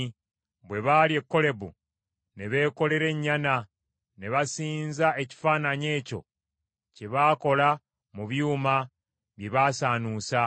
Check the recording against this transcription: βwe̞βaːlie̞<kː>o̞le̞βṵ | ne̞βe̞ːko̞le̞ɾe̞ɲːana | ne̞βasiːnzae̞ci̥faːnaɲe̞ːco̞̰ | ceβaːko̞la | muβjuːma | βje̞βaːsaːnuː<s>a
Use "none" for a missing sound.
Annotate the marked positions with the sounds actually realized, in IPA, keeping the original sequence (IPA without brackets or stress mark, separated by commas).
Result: kː, s